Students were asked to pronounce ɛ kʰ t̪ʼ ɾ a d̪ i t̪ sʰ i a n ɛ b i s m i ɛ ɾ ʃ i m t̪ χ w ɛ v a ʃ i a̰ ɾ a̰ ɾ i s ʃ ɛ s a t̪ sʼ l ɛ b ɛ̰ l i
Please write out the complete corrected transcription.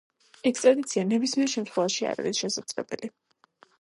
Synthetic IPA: ɛ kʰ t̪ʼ ɾ a d̪ i t̪ sʰ i a n ɛ b i s m i ɛ ɾ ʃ ɛ m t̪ χ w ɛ v a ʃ i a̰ ɾ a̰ ɾ i s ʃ ɛ s a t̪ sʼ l ɛ b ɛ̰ l i